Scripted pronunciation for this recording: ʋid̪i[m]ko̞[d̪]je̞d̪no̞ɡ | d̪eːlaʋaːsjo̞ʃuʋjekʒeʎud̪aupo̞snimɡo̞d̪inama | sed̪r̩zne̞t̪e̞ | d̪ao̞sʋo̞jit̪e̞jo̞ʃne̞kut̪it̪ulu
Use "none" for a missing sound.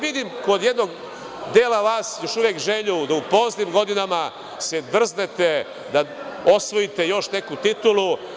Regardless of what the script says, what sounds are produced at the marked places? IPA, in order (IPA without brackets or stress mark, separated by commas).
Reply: m, d̪